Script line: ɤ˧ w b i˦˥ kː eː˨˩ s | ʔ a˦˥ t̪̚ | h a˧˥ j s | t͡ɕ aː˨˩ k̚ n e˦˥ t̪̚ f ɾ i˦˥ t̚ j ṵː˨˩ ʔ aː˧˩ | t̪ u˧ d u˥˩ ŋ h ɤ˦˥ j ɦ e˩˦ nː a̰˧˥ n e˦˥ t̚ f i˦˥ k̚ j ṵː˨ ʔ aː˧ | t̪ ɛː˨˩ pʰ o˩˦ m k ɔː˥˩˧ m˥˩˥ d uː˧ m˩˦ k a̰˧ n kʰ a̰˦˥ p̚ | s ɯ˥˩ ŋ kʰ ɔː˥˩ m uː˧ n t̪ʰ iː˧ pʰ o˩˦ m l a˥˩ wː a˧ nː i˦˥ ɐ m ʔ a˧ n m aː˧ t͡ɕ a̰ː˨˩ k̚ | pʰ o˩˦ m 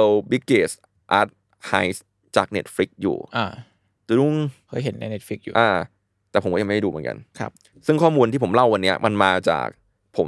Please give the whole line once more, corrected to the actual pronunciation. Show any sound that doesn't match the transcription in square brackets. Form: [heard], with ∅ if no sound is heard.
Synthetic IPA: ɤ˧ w b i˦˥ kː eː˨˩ s | ʔ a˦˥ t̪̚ | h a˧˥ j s | t͡ɕ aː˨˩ k̚ n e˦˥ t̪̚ f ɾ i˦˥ [k̚] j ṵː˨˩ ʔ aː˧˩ | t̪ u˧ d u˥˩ ŋ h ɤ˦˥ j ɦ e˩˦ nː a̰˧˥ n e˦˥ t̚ f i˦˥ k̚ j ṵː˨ ʔ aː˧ | t̪ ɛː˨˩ pʰ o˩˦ m k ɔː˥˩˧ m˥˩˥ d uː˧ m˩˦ k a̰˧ n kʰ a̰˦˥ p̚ | s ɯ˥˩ ŋ kʰ ɔː˥˩ m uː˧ n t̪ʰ [iː˥˩] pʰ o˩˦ m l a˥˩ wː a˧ nː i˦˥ ɐ m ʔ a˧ n m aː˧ t͡ɕ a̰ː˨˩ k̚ | pʰ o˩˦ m